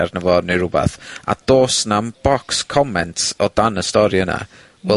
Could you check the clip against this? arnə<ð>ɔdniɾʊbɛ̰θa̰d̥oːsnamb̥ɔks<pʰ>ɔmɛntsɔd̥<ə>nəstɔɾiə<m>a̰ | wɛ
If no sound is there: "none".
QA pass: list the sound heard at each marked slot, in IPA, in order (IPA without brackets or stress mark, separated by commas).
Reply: v, kʰ, a, n